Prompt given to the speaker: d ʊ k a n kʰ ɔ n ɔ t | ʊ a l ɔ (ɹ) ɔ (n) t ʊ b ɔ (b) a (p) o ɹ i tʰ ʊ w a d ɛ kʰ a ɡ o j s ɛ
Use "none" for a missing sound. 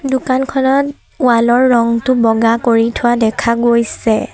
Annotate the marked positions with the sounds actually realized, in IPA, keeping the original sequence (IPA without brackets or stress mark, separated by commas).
ɹː, ŋ, ɡ, k